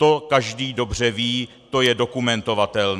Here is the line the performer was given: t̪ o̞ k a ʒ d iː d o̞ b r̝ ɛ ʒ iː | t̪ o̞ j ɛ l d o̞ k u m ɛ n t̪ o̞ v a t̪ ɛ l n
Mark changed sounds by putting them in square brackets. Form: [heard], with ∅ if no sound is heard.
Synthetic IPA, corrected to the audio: t̪ o̞ k a ʒ d iː d o̞ b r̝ ɛ [v] iː | t̪ o̞ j ɛ [∅] d o̞ k u m ɛ n t̪ o̞ v a t̪ ɛ l n